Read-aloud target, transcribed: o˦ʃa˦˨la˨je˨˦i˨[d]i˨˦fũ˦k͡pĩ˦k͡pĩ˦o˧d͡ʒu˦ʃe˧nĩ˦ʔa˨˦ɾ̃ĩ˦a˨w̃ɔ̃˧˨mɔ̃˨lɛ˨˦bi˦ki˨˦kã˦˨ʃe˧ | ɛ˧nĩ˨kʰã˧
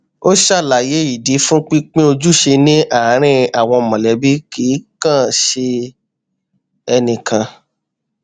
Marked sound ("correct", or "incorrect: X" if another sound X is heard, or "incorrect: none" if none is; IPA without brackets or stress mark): correct